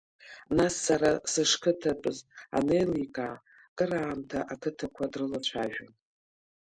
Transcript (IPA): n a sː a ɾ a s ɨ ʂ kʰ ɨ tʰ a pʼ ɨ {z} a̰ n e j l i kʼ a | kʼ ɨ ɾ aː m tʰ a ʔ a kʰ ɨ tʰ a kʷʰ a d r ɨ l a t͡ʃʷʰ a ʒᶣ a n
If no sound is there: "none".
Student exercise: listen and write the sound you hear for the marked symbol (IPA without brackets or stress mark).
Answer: z